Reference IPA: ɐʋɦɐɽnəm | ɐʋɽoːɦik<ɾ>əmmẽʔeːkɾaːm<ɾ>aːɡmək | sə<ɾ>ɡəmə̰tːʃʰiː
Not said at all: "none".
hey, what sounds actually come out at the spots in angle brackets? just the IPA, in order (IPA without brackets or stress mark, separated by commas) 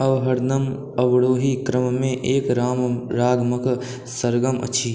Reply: ɾ, ɾ, ɾ